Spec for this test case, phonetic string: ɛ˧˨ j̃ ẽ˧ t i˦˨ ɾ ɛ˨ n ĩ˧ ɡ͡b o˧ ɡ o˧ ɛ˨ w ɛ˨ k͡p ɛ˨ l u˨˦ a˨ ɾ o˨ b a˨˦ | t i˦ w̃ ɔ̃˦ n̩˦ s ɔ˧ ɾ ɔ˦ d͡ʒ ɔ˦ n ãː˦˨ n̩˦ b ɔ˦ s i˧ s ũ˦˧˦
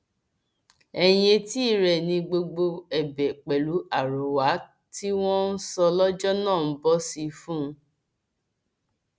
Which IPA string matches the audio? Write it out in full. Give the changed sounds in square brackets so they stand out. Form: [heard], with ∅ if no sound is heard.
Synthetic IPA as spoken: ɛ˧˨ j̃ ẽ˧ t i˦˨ ɾ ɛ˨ n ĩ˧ ɡ͡b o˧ [ɡ͡b] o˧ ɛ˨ [b] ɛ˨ k͡p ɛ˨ l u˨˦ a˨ ɾ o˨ [w] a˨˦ | t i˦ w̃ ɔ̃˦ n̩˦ s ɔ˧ [l] ɔ˦ d͡ʒ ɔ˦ n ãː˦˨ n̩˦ b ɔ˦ s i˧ [f] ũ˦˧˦